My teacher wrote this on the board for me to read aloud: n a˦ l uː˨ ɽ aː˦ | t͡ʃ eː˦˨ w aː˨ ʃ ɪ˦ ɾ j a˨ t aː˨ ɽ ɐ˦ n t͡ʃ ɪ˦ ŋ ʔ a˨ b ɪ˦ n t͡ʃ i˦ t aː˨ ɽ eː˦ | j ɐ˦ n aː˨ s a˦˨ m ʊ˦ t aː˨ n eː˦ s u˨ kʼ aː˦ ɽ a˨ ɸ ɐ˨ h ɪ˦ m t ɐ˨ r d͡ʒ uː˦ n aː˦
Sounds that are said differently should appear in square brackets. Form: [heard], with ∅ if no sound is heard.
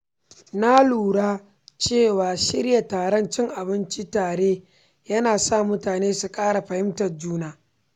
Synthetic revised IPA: n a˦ l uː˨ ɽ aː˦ | t͡ʃ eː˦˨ w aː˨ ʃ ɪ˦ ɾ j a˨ t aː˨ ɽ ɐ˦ n t͡ʃ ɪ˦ ŋ ʔ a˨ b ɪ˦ n t͡ʃ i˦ t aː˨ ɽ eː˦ | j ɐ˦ n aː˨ s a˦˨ m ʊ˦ t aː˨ n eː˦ s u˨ kʼ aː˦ ɽ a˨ ɸ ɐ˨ h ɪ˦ m t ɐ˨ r d͡ʒ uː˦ n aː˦

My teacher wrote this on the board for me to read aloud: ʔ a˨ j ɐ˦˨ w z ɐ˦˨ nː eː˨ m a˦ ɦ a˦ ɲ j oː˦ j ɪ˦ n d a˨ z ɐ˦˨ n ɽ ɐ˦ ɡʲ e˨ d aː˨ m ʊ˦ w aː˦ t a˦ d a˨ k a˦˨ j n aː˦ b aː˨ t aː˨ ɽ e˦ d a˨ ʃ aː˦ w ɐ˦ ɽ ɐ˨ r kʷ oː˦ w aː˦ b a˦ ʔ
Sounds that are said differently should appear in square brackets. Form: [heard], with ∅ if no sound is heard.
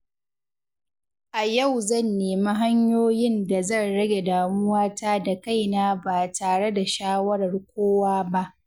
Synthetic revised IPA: ʔ a˨ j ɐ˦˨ w z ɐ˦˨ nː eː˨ m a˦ ɦ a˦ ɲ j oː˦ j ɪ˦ n d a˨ z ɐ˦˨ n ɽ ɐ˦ ɡʲ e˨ d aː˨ m ʊ˦ w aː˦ t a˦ d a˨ k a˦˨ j n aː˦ b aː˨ t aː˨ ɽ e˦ d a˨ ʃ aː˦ w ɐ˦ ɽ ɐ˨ r kʷ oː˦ w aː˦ b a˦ ʔ

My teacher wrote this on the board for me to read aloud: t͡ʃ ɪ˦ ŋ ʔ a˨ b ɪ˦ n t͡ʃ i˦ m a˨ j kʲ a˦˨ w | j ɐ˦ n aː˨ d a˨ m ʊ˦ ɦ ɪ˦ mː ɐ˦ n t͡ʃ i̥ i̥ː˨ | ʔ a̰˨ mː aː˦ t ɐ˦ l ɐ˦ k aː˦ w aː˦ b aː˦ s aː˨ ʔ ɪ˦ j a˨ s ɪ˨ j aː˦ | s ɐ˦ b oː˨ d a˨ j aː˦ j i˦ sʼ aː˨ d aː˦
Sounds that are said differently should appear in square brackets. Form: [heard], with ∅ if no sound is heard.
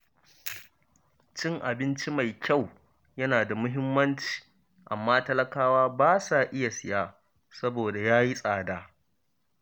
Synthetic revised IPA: t͡ʃ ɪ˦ ŋ ʔ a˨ b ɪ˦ n t͡ʃ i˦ m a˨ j kʲ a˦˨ w | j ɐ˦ n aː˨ d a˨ m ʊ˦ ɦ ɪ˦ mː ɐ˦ n t͡ʃ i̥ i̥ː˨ | ʔ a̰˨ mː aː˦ t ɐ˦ l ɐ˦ k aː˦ w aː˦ b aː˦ s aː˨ ʔ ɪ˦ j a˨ s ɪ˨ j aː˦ | s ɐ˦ b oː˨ d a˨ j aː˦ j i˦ sʼ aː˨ d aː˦

